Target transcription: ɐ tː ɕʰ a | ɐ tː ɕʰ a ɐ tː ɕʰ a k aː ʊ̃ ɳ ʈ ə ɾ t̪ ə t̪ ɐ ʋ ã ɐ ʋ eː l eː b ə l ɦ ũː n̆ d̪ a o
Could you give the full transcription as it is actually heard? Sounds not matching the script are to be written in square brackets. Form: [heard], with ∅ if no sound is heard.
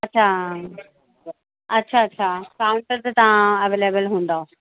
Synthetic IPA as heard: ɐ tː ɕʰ a | ɐ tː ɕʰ a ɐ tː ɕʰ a k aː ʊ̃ ɳ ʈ ə ɾ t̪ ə t̪ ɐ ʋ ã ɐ ʋ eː l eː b ə l ɦ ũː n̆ d̪ a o